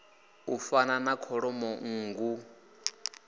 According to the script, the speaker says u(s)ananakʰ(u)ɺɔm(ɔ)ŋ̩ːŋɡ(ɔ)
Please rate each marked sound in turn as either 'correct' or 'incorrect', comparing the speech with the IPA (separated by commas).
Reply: incorrect, incorrect, correct, incorrect